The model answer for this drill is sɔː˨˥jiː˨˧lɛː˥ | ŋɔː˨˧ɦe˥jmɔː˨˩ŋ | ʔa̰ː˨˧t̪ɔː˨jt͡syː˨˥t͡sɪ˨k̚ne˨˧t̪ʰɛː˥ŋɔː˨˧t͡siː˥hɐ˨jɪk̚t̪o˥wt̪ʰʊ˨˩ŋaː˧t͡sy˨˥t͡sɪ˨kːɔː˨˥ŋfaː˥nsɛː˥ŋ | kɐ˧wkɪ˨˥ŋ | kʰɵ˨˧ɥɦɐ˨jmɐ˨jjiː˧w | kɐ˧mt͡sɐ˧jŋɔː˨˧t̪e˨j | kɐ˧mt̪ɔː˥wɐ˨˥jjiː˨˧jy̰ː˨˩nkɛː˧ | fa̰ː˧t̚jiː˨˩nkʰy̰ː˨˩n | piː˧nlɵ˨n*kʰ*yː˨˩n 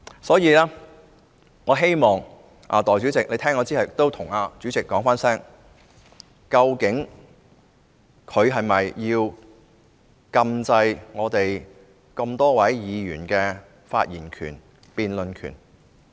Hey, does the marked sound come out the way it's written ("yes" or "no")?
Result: yes